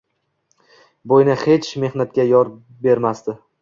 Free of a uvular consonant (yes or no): yes